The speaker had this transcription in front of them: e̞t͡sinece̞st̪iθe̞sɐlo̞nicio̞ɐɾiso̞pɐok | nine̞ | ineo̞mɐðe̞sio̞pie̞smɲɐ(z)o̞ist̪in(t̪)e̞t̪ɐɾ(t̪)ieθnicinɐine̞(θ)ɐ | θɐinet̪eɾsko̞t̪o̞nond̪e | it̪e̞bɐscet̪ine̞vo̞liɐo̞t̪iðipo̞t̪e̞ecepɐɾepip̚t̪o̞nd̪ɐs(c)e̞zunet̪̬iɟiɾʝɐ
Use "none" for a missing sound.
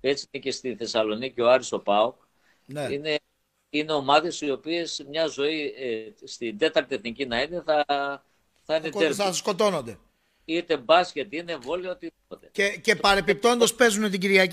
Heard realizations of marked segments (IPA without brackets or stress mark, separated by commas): z, d̪, t̪, θ, p